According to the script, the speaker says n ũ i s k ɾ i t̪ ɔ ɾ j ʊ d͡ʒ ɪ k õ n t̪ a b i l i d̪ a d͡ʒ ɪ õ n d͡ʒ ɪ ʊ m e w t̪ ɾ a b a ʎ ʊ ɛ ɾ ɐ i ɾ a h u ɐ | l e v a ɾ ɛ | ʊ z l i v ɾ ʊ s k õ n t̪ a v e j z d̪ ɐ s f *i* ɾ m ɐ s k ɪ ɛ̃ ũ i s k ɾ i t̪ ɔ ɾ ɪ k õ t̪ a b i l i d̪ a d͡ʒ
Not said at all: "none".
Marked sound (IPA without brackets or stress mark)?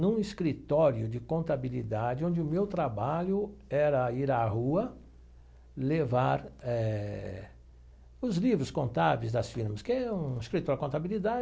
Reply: i